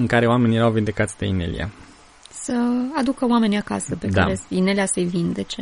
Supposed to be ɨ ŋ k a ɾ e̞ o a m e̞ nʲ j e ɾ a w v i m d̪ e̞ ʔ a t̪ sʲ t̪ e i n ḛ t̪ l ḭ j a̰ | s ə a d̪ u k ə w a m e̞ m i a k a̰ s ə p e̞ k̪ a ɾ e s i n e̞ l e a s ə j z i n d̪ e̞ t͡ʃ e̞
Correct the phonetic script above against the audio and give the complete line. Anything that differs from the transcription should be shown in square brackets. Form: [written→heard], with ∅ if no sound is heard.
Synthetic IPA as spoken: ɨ ŋ k a ɾ e̞ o a m e̞ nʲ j e ɾ a w v i [m→n] d̪ e̞ [ʔ→k] a t̪ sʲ [t̪→d̪] e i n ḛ [t̪→∅] l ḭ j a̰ | s ə a d̪ u k ə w a m e̞ [m→n] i a k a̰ s ə p e̞ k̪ a ɾ e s i n e̞ l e a s ə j [z→v] i n d̪ e̞ t͡ʃ e̞